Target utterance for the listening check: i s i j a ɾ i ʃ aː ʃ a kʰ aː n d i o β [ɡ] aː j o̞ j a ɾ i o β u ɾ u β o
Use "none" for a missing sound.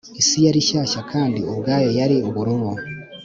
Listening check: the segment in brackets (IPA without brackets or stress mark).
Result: ɡ